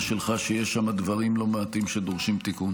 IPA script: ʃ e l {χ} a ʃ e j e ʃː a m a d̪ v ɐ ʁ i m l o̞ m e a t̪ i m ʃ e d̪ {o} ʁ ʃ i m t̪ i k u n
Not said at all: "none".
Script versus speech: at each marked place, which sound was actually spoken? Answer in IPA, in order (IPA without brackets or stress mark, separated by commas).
χ, o